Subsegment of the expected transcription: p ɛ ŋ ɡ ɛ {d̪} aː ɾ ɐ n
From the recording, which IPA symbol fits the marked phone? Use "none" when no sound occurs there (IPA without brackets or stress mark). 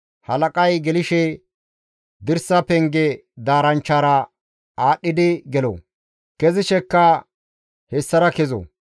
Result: d̪